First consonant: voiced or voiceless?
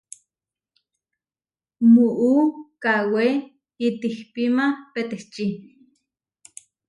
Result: voiced